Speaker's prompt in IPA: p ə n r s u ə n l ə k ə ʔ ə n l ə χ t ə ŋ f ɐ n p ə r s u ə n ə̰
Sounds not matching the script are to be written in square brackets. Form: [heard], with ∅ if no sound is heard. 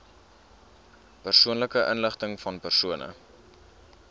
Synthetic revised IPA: p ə [∅] r s u ə n l ə k ə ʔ ə n l ə χ t ə ŋ f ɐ n p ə r s u ə n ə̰